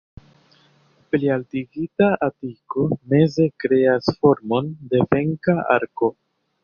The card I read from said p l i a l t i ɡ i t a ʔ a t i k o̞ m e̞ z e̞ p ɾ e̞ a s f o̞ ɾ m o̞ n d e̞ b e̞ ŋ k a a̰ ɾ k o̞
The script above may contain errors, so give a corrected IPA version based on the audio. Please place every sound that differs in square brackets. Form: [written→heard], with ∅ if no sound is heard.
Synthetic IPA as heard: p l i a l t i ɡ i t a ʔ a t i k o̞ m e̞ z e̞ [p→k] ɾ e̞ a s f o̞ ɾ m o̞ n d e̞ [b→v] e̞ ŋ k a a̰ ɾ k o̞